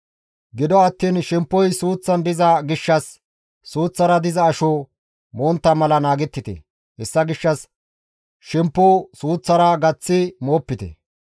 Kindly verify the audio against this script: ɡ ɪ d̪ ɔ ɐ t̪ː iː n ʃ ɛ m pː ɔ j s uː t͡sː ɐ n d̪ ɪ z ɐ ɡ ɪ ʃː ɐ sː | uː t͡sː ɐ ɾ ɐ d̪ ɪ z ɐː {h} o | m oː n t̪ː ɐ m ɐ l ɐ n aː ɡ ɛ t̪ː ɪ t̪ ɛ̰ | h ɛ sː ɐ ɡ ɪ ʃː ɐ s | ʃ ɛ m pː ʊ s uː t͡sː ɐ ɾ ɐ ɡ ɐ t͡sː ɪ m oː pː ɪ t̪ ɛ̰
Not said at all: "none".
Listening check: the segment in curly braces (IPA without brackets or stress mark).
ʃ